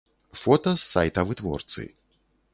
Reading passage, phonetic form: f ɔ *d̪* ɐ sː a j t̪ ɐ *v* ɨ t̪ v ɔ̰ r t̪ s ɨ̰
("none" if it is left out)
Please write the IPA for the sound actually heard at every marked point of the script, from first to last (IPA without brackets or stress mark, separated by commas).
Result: t̪, v